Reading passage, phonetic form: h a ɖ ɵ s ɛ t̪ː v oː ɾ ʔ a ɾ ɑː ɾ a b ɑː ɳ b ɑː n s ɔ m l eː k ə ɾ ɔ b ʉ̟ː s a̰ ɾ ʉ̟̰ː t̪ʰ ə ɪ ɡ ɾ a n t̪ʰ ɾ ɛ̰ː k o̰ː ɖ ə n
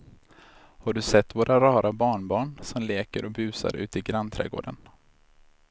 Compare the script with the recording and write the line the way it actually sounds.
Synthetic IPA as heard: h a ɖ ɵ s ɛ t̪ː v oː ɾ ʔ a ɾ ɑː ɾ a b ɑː ɳ b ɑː ɳ s ɔ m l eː k ə ɾ ɔ b ʉ̟ː s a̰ ɾ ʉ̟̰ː t̪ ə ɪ ɡ ɾ a n t̪ʰ ɾ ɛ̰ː ɡ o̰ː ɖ ə n

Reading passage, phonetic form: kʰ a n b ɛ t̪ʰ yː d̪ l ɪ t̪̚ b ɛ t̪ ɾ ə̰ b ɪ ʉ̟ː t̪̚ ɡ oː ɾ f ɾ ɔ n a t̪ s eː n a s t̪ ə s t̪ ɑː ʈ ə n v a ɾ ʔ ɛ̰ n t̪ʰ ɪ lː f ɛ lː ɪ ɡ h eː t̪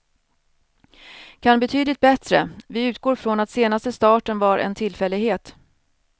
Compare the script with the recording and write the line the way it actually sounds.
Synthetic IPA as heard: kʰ a n b ɛ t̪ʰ yː d̪ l ɪ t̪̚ b ɛ t̪ ɾ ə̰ v ɪ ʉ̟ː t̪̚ ɡ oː ɾ f ɾ ɔ n a t̪ s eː n a s t̪ ə s t̪ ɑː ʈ ə n v a ɾ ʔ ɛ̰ n t̪ʰ ɪ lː f ɛ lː ɪ ɡ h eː t̪

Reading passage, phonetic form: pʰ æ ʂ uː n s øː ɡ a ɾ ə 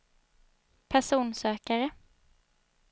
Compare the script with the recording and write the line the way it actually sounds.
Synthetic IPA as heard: pʰ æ ʂ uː n s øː k a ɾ ə

